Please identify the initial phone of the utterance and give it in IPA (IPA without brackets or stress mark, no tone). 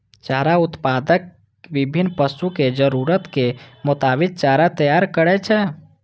t͡ʃ